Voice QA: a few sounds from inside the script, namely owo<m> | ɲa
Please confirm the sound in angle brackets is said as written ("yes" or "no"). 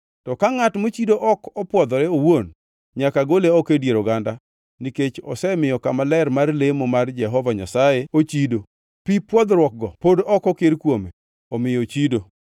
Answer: no